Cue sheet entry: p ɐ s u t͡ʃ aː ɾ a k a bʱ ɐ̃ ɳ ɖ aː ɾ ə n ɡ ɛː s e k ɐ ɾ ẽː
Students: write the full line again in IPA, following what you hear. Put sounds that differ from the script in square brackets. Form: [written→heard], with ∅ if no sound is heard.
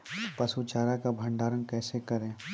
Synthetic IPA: p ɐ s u t͡ʃ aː ɾ a k a bʱ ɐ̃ ɳ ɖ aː ɾ ə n [ɡ→k] ɛː s e k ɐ ɾ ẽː

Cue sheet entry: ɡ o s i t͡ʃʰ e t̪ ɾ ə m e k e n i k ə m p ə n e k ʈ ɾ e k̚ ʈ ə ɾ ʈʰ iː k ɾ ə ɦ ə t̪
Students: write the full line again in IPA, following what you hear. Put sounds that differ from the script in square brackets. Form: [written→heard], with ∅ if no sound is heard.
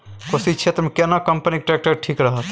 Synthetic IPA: [ɡ→k] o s i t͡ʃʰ e t̪ ɾ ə m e k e n [i→a] k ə m p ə n [e→i] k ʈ ɾ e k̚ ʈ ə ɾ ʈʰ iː k ɾ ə ɦ ə t̪

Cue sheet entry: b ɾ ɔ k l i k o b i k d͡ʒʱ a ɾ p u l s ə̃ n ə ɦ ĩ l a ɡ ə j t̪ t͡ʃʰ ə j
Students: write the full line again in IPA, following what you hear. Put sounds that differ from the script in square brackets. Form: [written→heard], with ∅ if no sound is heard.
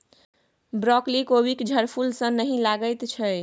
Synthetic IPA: b ɾ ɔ k l i k o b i k d͡ʒʱ [a→ə] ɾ [p→pʰ] u l s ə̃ n ə ɦ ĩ l a ɡ ə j t̪ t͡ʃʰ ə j

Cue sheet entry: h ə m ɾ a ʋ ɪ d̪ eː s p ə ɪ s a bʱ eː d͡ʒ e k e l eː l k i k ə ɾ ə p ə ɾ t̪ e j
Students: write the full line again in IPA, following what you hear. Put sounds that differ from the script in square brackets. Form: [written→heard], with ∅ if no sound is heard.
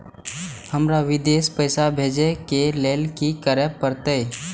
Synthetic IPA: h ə m ɾ a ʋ ɪ d̪ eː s p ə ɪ s a bʱ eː d͡ʒ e k e l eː l k i k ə ɾ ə p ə ɾ t̪ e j

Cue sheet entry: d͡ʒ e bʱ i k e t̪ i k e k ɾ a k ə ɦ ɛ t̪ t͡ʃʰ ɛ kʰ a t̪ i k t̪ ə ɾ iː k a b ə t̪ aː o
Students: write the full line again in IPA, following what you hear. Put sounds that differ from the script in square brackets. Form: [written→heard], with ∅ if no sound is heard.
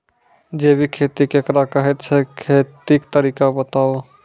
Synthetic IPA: d͡ʒ e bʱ i [k→kʰ] e t̪ i k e k ɾ a k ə ɦ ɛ t̪ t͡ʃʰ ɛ kʰ [a→e] t̪ i k t̪ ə ɾ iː k a b ə t̪ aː o

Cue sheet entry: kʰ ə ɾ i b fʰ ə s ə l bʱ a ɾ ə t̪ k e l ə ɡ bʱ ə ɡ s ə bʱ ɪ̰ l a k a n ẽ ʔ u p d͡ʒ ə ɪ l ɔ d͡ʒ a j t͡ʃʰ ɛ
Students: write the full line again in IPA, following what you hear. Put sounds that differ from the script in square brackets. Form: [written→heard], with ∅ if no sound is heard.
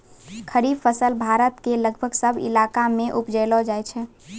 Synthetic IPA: kʰ ə ɾ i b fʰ ə s ə l bʱ a ɾ ə t̪ k e l ə ɡ bʱ ə ɡ s ə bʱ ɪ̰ l a k a [n→m] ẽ ʔ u p d͡ʒ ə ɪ l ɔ d͡ʒ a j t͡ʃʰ ɛ

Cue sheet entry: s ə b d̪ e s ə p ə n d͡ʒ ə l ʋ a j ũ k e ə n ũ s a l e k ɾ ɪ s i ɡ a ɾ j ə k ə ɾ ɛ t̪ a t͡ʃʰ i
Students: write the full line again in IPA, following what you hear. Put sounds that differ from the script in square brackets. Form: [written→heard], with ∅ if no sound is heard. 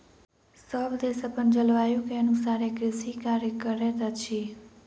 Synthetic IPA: s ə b d̪ e s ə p ə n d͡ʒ ə l ʋ a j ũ k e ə n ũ s a [l→ɾ] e k ɾ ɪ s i [ɡ→k] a ɾ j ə k ə ɾ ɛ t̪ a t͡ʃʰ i

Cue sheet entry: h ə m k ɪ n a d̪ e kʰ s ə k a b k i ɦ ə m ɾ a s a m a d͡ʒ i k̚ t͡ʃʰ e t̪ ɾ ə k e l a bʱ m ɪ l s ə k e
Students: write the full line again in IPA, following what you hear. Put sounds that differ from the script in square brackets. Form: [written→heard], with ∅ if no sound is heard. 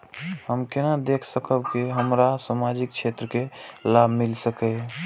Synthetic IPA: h ə m k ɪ n a d̪ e kʰ s ə k [a→ə] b k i ɦ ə m ɾ a s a m a d͡ʒ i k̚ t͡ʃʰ e t̪ ɾ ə k e l a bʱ m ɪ l s ə k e

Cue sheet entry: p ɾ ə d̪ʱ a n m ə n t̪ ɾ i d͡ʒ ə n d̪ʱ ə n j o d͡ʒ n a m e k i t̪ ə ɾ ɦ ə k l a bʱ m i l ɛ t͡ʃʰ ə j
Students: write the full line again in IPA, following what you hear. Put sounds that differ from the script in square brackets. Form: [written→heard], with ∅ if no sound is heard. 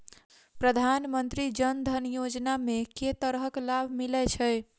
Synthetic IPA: p ɾ ə d̪ʱ a n m ə n t̪ ɾ i d͡ʒ ə n d̪ʱ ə n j o d͡ʒ n a m e k [i→e] t̪ ə ɾ ɦ ə k l a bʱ m i l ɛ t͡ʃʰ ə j

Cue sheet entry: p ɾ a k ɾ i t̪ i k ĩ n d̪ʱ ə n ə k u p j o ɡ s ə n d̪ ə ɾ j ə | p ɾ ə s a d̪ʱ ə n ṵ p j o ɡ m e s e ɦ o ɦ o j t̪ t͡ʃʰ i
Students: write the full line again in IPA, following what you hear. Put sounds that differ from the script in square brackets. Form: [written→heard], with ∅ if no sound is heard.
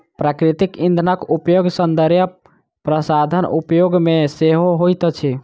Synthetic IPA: p ɾ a k ɾ i t̪ i k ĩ n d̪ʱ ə n ə k u p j o ɡ s ə n d̪ ə ɾ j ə | p ɾ ə s a d̪ʱ ə n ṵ p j o ɡ m e s e ɦ o ɦ o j t̪ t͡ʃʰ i

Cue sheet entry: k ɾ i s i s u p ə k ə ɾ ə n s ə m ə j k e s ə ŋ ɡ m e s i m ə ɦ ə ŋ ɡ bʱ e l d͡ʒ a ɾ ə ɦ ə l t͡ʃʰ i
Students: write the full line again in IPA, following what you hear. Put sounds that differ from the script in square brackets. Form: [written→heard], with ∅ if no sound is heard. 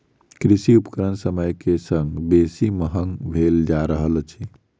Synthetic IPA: k ɾ i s i [s→∅] u p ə k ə ɾ ə n s ə m ə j k e s ə ŋ ɡ [m→b] e s i m ə ɦ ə ŋ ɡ bʱ e l d͡ʒ a ɾ ə ɦ ə l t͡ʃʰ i

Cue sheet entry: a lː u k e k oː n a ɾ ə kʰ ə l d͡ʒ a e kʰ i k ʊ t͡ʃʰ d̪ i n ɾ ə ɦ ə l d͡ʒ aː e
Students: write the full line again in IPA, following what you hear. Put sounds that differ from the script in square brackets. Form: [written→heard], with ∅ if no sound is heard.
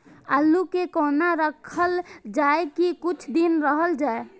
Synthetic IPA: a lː u k e k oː n a ɾ ə kʰ ə l d͡ʒ a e [kʰ→k] i k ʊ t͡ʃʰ d̪ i n ɾ ə ɦ ə l d͡ʒ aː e

